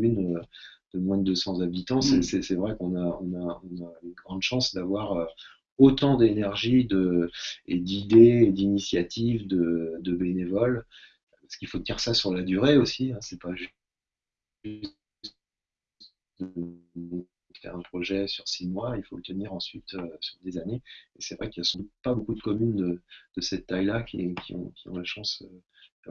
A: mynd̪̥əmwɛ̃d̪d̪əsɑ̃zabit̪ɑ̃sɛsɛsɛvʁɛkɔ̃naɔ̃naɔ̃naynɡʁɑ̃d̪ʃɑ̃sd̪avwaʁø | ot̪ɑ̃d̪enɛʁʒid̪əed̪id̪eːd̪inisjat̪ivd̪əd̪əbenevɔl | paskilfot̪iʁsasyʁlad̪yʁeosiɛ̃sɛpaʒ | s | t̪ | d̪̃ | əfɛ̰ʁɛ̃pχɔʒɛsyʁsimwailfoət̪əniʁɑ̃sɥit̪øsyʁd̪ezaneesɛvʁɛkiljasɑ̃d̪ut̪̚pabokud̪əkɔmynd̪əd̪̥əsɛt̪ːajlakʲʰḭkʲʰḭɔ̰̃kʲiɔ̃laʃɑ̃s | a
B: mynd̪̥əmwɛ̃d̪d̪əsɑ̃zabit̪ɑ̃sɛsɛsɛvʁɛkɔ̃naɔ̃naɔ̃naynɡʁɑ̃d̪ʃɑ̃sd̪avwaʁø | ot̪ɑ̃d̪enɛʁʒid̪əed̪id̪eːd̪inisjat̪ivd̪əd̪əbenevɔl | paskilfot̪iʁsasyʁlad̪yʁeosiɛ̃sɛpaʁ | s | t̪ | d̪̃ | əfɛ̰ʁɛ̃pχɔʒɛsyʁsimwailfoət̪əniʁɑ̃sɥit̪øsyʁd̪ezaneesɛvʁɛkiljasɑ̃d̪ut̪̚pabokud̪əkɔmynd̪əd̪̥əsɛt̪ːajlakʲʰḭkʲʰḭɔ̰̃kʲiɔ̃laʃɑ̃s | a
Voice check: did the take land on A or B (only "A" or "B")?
A